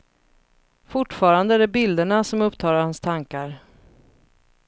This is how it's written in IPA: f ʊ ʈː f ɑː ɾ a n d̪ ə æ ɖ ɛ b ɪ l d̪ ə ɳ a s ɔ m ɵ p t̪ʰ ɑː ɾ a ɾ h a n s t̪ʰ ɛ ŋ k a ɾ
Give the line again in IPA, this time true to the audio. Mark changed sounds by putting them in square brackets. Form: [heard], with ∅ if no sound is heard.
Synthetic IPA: f ʊ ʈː f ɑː ɾ a n d̪ ə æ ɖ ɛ b ɪ l d̪ ə ɳ a s ɔ m ɵ p t̪ʰ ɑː ɾ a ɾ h a n s t̪ʰ [a] ŋ k a ɾ